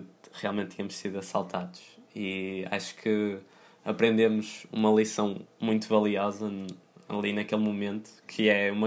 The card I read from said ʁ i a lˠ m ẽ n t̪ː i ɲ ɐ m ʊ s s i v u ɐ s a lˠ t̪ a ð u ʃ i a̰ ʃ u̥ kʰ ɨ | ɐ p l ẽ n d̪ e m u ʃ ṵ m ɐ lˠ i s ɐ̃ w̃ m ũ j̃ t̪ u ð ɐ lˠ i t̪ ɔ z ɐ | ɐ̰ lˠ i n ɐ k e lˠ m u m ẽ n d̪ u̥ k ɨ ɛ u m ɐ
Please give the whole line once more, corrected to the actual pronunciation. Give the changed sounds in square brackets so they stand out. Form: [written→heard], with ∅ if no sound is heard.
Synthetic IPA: ʁ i a lˠ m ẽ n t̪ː i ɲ ɐ m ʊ [s→ʃ] s i [v→ð] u ɐ s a lˠ t̪ a ð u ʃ i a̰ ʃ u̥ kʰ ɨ | ɐ p [l→ɾ] ẽ n d̪ e m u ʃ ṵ m ɐ lˠ i s ɐ̃ w̃ m ũ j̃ t̪ u [ð→v] ɐ lˠ i [t̪→∅] ɔ z ɐ | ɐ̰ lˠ i n ɐ k e lˠ m u m ẽ n [d̪→t̪] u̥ [k→kʰ] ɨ ɛ u m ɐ